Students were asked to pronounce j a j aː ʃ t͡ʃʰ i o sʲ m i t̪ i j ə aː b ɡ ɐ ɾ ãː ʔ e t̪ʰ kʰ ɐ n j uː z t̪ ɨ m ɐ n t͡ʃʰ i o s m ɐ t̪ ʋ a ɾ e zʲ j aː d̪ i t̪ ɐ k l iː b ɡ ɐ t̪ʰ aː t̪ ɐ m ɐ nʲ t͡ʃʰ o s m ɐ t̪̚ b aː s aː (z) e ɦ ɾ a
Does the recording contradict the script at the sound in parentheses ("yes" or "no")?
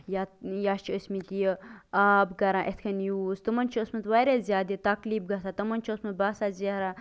no